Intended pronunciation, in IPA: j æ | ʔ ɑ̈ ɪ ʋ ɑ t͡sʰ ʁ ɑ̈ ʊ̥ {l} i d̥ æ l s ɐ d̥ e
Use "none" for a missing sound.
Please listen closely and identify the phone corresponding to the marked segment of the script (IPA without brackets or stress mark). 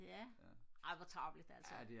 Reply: l